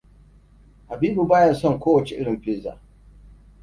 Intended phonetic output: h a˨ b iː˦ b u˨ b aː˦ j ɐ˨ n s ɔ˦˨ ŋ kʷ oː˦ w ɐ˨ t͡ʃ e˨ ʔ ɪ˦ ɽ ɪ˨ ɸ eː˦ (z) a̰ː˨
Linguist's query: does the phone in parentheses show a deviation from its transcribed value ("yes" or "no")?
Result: no